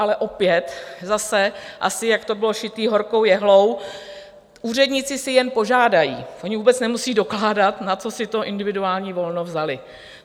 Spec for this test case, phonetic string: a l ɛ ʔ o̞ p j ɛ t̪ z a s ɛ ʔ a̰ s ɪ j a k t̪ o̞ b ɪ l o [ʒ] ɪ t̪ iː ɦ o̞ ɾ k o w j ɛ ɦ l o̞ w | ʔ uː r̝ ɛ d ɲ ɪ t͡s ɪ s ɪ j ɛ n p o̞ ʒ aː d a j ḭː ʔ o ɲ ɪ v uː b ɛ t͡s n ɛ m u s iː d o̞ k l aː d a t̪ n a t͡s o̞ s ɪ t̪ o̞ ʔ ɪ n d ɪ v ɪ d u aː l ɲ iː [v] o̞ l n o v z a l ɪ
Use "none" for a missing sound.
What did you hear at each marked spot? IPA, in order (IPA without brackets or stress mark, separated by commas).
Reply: ʃ, v